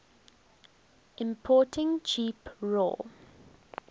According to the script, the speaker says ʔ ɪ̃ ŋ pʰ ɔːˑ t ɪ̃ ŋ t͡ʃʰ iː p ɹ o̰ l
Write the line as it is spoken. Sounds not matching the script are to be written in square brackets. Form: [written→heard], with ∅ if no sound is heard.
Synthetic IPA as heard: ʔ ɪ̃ [ŋ→m] pʰ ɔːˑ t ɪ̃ ŋ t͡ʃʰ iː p ɹ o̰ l